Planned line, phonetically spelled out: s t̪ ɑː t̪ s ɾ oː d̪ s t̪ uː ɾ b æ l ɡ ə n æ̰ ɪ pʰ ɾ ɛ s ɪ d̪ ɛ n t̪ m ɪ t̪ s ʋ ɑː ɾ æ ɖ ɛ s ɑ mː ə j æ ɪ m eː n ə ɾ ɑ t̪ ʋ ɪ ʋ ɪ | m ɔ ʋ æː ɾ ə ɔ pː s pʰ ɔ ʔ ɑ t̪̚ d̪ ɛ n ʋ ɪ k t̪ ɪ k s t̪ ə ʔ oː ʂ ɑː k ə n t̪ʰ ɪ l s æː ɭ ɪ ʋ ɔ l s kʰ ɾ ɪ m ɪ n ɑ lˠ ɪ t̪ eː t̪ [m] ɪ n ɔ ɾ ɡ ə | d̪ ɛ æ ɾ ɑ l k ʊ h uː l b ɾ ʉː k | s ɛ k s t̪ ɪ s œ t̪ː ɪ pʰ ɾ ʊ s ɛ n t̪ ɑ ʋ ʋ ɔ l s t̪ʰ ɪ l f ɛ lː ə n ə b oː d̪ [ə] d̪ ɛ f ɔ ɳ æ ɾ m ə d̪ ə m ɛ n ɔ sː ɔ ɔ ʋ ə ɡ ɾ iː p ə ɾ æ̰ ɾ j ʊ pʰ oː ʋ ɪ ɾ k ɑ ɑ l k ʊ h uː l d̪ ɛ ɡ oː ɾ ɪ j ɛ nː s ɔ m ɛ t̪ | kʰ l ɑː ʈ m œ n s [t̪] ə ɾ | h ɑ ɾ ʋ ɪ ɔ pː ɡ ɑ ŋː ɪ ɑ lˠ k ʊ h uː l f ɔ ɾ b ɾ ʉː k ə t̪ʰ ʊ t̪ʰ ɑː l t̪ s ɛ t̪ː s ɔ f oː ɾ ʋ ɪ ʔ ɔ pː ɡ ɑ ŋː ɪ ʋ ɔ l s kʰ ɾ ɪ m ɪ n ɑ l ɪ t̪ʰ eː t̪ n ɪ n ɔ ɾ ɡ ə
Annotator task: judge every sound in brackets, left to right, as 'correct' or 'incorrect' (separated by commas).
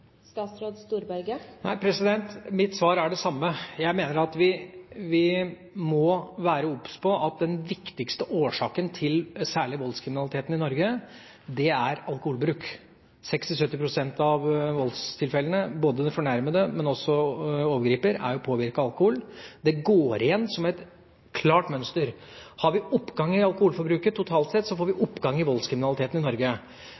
incorrect, correct, correct